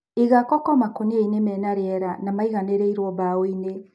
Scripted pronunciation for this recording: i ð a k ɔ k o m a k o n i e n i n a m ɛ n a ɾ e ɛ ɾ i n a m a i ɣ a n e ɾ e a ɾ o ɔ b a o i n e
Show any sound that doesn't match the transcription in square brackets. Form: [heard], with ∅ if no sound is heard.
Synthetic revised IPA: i [ɣ] a k ɔ k [ɔ] m a k o n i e [∅] i n [e] m ɛ n a ɾ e ɛ ɾ [a] n a m a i ɣ a n e ɾ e [i] ɾ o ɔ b a o i n e

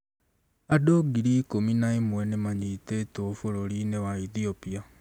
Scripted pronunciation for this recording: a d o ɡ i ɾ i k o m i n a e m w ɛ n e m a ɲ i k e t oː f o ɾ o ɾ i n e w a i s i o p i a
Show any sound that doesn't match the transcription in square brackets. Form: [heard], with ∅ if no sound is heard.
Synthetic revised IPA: a d o ɡ i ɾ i k o m i n a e m w ɛ n e m a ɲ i [t] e t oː f o ɾ o ɾ i n e w a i [θ] i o p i a

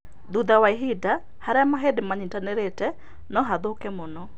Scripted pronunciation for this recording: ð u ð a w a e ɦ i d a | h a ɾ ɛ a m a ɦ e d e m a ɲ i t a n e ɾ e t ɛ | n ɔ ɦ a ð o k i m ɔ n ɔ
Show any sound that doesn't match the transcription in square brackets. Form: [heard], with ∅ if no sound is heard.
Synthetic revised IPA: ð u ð a w a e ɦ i d a | h a ɾ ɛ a m a ɦ e d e m a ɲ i t a n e ɾ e t ɛ | n ɔ ɦ a ð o k [ɛ] m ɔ n ɔ

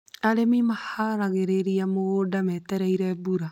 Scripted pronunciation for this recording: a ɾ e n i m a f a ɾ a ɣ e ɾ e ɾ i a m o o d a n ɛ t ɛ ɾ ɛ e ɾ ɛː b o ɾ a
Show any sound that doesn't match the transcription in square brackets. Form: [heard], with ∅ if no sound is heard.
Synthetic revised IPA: a ɾ e [m] i m a [h] a ɾ a ɣ e ɾ e ɾ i a m o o d a [m] ɛ t ɛ ɾ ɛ [i] ɾ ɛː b [u] ɾ a

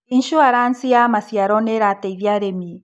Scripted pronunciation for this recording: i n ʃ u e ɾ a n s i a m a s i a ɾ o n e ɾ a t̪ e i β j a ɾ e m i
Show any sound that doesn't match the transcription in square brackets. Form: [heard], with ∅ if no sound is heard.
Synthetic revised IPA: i n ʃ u [a] ɾ a n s i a m a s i a ɾ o n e ɾ a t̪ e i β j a ɾ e m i

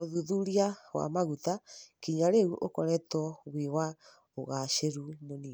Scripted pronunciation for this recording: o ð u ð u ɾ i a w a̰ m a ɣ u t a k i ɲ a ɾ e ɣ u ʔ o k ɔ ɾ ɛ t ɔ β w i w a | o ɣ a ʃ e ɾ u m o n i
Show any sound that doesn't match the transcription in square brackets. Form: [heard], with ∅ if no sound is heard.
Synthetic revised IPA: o ð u ð u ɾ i a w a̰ m a ɣ u t a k i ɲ a ɾ e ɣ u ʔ o k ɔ ɾ ɛ t ɔ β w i w a | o ɣ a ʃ e ɾ u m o n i

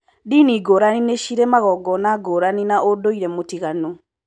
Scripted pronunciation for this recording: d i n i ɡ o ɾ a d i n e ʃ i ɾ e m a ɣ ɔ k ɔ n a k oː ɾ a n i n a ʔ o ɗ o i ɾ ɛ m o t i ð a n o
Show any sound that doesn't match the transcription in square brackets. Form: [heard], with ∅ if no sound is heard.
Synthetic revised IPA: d i n i ɡ o ɾ a [n] i n e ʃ i ɾ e m a ɣ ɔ [ɡ] ɔ n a [ɡ] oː ɾ a n i n a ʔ o [d] o i ɾ ɛ m o t i [ɣ] a n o

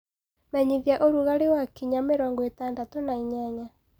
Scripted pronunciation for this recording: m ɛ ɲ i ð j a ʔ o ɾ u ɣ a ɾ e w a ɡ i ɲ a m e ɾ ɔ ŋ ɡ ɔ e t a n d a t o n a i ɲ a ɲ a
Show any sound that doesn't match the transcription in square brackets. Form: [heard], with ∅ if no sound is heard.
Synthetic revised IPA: m ɛ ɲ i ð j a ʔ o ɾ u ɣ a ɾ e w a [k] i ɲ a m e ɾ ɔ ŋ ɡ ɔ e t a n d a t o n a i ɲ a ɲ a

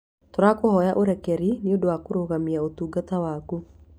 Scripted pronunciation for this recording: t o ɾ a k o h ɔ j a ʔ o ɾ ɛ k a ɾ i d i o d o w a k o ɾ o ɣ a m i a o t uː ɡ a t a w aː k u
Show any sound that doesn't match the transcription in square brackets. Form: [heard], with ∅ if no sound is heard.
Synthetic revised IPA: t o ɾ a k o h ɔ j a ʔ o ɾ ɛ k [ɛ] ɾ i [n] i o d o w a k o ɾ o ɣ a m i a o t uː ɡ a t a w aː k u

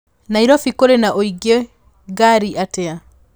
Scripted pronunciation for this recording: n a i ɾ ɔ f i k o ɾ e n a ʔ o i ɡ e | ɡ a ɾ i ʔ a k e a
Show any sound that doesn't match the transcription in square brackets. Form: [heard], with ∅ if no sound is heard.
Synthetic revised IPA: n a i ɾ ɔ f i k o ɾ e n a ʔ o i ɡ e | ɡ a ɾ i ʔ a [t] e a

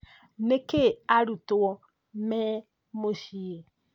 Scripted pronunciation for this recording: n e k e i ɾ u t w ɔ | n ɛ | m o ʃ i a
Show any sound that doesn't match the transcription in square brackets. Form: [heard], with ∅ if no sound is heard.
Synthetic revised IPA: n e k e [a] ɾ u t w ɔ | [m] ɛ | m o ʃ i [e]

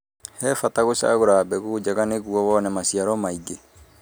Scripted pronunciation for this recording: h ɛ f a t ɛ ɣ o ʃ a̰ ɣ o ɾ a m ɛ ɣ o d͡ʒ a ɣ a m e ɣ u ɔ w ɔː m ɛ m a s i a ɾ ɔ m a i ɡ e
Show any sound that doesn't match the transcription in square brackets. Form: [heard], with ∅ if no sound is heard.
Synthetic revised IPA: h ɛ f a t [a] ɣ o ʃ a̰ ɣ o ɾ a [b] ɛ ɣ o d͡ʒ a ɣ a [n] e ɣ u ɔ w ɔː [n] ɛ m a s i a ɾ ɔ m a i ɡ e

